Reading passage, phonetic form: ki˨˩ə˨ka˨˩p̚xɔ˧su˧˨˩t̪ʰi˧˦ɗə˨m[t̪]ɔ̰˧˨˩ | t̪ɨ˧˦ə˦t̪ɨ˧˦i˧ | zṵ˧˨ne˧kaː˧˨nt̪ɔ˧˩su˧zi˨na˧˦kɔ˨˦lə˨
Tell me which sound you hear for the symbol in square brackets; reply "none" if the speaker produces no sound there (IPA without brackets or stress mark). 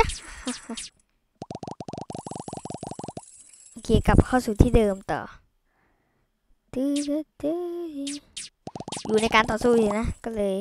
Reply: t̪